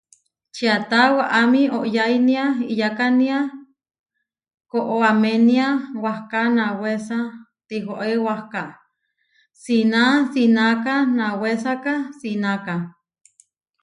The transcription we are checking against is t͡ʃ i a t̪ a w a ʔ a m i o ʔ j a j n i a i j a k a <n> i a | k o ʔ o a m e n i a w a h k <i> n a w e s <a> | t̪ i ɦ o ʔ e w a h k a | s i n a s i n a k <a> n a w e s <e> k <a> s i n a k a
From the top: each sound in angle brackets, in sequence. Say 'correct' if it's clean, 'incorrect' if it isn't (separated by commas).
correct, incorrect, correct, correct, incorrect, correct